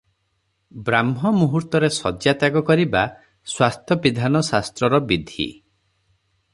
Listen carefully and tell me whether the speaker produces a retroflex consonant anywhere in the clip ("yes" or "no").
no